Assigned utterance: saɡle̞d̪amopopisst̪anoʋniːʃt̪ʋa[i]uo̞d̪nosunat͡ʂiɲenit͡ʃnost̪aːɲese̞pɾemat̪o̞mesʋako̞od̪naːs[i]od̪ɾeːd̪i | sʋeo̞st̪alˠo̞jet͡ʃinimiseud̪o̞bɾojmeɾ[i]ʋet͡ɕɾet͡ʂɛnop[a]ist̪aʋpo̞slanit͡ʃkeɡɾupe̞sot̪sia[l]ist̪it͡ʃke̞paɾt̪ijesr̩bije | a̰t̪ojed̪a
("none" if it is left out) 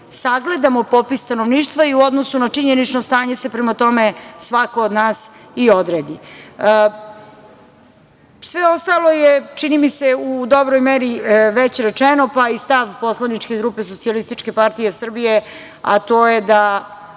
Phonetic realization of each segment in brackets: i, i, i, a, l

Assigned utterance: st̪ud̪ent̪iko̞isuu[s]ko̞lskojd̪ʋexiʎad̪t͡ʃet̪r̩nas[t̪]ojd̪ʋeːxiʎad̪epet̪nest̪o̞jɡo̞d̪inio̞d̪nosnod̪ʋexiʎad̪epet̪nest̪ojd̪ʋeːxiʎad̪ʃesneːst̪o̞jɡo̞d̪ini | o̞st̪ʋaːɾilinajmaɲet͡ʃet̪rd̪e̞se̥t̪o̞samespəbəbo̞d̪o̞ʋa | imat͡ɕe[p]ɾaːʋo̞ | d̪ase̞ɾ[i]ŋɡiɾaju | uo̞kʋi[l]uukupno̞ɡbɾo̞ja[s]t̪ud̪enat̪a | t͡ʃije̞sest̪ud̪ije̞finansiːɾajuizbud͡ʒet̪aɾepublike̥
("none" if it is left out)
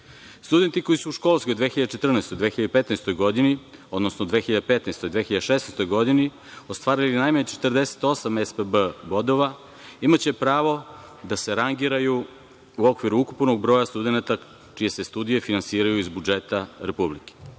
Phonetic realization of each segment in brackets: ʃ, t̪, p, a, ɾ, s

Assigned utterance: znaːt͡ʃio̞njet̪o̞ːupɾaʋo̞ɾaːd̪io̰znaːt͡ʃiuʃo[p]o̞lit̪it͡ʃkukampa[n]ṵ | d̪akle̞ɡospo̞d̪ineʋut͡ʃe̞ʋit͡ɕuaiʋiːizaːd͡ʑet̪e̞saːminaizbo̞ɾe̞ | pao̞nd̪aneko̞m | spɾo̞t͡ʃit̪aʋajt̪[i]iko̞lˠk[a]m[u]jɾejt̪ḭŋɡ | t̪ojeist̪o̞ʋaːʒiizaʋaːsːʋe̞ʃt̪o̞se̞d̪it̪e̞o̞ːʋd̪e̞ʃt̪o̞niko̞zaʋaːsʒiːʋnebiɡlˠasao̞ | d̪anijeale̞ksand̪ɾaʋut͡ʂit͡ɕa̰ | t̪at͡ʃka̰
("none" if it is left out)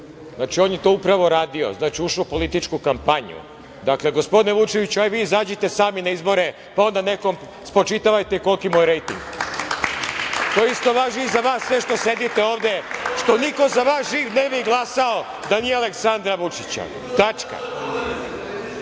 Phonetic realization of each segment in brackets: p, ɲ, e, i, o

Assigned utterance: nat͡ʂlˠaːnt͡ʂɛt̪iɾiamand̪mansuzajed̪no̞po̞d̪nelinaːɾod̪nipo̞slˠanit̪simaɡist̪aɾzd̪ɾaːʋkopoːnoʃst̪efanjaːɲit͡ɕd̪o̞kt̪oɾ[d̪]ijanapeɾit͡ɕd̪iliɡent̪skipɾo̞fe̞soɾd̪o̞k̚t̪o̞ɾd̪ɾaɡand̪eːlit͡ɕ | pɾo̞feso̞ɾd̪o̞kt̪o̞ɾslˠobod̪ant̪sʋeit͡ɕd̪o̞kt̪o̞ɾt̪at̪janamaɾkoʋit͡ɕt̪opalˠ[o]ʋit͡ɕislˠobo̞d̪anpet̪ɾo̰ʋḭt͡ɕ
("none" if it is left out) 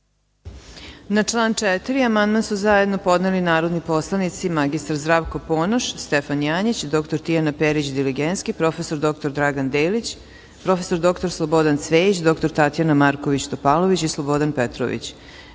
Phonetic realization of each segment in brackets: t̪, o

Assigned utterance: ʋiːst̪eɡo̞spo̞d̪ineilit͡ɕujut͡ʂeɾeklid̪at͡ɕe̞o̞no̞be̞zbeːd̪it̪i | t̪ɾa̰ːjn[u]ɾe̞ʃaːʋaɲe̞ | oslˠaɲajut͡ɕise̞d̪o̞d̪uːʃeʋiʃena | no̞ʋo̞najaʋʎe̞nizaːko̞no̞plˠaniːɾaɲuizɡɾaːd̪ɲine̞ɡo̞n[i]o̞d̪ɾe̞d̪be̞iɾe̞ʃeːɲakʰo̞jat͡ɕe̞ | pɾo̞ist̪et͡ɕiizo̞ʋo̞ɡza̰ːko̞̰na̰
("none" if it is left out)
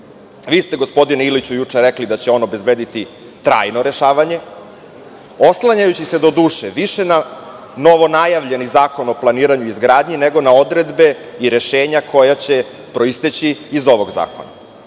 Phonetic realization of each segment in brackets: o, a

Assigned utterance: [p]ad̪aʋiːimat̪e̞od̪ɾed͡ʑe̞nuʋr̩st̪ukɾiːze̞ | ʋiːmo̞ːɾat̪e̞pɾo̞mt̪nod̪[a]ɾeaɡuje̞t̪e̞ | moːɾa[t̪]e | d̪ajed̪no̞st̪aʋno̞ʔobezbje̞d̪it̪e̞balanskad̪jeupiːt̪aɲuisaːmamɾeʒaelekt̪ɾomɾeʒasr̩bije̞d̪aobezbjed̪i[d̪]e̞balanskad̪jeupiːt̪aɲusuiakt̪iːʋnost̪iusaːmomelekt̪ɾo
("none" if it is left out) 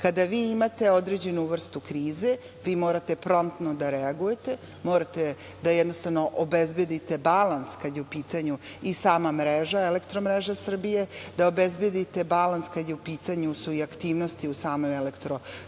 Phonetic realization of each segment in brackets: k, a, t̪, t̪

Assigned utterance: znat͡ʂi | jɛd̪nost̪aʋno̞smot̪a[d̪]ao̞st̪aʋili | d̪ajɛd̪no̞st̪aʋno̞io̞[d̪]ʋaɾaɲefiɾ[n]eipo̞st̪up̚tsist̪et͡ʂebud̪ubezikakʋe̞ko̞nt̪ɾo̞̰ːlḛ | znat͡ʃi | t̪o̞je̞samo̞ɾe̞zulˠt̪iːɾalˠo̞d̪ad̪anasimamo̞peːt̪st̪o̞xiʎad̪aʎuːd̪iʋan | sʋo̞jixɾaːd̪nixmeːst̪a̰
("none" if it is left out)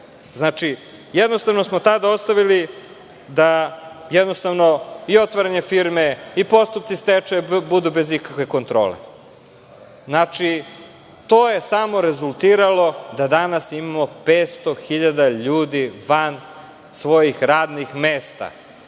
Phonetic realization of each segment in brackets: d̪, t̪, m

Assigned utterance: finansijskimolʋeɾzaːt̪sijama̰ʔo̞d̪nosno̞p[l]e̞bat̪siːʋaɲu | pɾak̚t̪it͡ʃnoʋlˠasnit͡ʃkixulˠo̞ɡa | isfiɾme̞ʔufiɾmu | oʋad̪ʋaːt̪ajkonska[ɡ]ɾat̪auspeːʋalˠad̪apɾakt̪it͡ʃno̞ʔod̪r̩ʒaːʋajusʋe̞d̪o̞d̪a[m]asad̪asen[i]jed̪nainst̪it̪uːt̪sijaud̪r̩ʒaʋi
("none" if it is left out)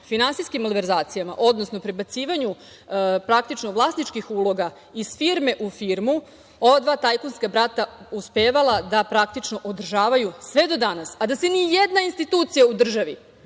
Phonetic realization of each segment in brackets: ɾ, b, n, i

